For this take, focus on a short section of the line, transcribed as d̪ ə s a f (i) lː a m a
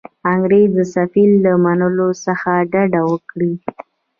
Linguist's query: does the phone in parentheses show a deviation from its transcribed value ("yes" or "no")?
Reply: no